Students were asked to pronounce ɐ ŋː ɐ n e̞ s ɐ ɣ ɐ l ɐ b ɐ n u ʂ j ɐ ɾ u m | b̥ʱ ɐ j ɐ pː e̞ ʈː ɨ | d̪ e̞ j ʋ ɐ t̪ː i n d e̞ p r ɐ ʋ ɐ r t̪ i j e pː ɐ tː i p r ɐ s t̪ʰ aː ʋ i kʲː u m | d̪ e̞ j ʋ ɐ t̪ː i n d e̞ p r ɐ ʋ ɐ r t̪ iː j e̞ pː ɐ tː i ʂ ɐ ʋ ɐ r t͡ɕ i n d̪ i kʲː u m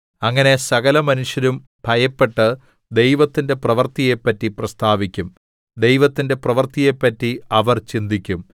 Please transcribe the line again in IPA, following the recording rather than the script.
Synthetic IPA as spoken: ɐ ŋː ɐ n e̞ s ɐ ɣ ɐ l ɐ m ɐ n u ʂ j ɐ ɾ u m | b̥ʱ ɐ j ɐ pː e̞ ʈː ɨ | d̪ e̞ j ʋ ɐ t̪ː i n d e̞ p r ɐ ʋ ɐ r t̪ i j e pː ɐ tː i p r ɐ s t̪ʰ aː ʋ i kʲː u m | d̪ e̞ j ʋ ɐ t̪ː i n d e̞ p r ɐ ʋ ɐ r t̪ i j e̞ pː ɐ tː i ɐ ʋ ɐ r t͡ɕ i n d̪ i kʲː u m

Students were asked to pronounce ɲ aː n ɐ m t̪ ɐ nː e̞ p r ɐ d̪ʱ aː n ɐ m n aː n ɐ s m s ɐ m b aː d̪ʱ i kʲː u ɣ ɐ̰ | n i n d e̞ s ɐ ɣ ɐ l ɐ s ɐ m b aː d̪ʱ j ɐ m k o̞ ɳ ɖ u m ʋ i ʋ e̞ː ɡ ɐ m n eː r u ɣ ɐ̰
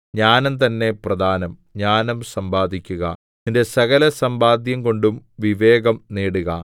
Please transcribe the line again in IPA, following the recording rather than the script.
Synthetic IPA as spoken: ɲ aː n ɐ m t̪ ɐ nː e̞ p r ɐ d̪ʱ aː n ɐ m ɲ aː n ɐ m s ɐ m b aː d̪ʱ i kʲː u ɣ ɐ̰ | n i n d e̞ s ɐ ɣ ɐ l ɐ s ɐ m b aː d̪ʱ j ɐ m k o̞ ɳ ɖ u m ʋ i ʋ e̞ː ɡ ɐ m n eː ɽ u ɣ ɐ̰

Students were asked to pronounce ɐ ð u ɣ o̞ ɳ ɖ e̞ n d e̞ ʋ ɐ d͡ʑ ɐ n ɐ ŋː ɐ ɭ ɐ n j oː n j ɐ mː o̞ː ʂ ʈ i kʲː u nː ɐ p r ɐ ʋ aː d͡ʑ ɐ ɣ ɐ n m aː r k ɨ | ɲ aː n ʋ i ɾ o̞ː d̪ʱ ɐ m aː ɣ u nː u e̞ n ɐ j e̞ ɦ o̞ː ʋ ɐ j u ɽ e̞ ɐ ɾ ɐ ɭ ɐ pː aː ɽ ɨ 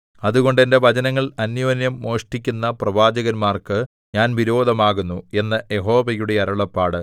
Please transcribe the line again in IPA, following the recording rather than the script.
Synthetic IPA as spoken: ɐ ð u ɣ o̞ ɳ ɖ e̞ n d e̞ ʋ ɐ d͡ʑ ɐ n ɐ ŋː ɐ ɭ ɐ n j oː n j ɐ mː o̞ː ʂ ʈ i kʲː u nː ɐ p r ɐ ʋ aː d͡ʑ ɐ ɣ ɐ n m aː r k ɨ | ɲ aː n ʋ i ɾ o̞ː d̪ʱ ɐ m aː ɣ u nː u e̞ nː ɐ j e̞ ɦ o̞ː ʋ ɐ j u ɽ e̞ ɐ ɾ ɐ ɭ ɐ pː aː ɽ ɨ

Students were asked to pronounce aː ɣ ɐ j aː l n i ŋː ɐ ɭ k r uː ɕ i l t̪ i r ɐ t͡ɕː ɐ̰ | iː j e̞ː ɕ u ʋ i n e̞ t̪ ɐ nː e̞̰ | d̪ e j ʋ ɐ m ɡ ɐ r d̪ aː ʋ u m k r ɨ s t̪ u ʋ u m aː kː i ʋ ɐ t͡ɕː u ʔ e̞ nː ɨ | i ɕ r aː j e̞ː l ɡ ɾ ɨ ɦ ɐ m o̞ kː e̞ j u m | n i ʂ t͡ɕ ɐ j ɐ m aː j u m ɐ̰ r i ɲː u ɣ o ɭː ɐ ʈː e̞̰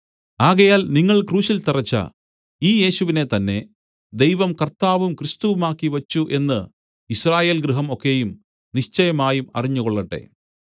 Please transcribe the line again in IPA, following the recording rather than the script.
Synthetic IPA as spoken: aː ɣ ɐ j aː l n i ŋː ɐ ɭ k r uː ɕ i l t̪ i r ɐ t͡ɕː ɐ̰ | iː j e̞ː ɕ u ʋ i n e̞ t̪ ɐ nː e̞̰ | d̪ e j ʋ ɐ m k ɐ r t̪ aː ʋ u m k r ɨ s t̪ u ʋ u m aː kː i ʋ ɐ t͡ɕː u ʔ e̞ nː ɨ | i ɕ r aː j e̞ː l ɡ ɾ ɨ ɦ ɐ m o̞ kː e̞ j u m | n i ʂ t͡ɕ ɐ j ɐ m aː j u m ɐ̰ r i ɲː u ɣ o ɭː ɐ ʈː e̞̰

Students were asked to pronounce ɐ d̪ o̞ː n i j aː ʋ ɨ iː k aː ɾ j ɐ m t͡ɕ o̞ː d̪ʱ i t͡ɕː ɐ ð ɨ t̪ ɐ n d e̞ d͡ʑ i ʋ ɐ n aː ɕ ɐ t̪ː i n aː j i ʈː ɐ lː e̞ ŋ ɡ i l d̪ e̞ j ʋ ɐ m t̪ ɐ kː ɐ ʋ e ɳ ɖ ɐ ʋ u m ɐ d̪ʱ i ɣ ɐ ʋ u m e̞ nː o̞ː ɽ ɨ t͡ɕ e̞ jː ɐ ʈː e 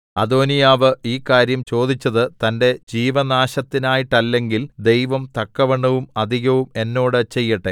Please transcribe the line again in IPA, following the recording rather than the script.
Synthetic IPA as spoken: ɐ d̪ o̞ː n i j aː ʋ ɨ iː k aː ɾ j ɐ m t͡ɕ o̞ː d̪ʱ i t͡ɕː ɐ ð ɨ t̪ ɐ n d e̞ d͡ʑ iː ʋ ɐ n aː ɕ ɐ t̪ː i n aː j i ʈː ɐ lː e̞ ŋ ɡ i l d̪ e̞ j ʋ ɐ m t̪ ɐ kː ɐ ʋ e ɳ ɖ ɐ ʋ u m ɐ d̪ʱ i ɣ ɐ ʋ u m e̞ nː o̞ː ɽ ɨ t͡ɕ e̞ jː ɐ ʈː e

